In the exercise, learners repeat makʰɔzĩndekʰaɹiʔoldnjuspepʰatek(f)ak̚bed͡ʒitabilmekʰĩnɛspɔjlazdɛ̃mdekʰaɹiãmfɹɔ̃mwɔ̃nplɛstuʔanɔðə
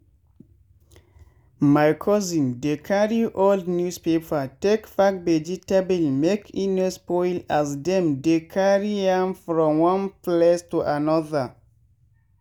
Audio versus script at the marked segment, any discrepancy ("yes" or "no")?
no